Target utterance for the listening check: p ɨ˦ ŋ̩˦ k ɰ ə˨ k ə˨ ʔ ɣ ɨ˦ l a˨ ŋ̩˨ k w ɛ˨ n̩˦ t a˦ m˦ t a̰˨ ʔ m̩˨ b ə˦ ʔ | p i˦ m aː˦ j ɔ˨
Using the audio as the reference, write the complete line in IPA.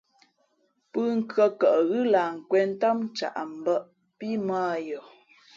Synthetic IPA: p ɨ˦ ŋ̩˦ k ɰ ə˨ k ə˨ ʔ ɣ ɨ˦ l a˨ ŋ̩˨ k w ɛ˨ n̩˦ t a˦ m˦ t͡ʃ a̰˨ ʔ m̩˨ b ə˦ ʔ | p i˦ m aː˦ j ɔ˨